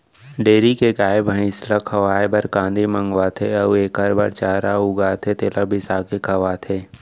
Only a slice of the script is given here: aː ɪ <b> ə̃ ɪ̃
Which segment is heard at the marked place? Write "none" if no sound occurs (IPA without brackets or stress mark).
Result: b